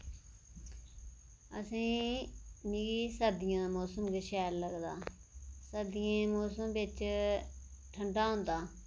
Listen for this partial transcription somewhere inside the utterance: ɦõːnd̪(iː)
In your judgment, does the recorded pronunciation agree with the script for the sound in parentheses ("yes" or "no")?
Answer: no